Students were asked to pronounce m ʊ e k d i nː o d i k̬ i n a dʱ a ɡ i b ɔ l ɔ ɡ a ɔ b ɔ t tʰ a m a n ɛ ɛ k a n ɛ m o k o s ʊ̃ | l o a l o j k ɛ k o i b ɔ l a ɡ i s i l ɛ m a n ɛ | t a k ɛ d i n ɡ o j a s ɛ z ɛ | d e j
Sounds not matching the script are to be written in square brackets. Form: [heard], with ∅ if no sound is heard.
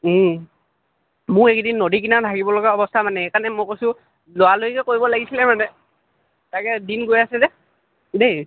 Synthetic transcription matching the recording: m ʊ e k d i nː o d i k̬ i n a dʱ a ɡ i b ɔ l ɔ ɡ a ɔ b ɔ [s] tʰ a m a n ɛ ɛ k a n ɛ m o k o s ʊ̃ | l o a l o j k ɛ k o i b ɔ l a ɡ i s i l ɛ m a n ɛ | t a k ɛ d i n ɡ o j a s ɛ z ɛ | d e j